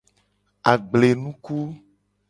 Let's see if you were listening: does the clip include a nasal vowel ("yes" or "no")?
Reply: yes